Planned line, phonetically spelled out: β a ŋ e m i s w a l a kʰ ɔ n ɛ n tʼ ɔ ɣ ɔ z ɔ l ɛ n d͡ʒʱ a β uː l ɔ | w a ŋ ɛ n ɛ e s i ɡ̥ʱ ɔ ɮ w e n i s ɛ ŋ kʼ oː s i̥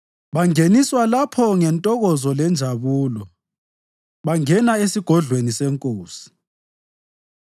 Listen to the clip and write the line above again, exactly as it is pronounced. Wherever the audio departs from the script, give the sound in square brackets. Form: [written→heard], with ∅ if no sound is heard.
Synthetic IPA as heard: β a ŋ e [m→n] i s w a l a [kʰ→pʰ] ɔ [n→ŋ] ɛ n tʼ ɔ ɣ ɔ z ɔ l ɛ n d͡ʒʱ a β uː l ɔ | [w→β] a ŋ ɛ n [ɛ→a] e s i ɡ̥ʱ ɔ ɮ w e n i s ɛ ŋ kʼ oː s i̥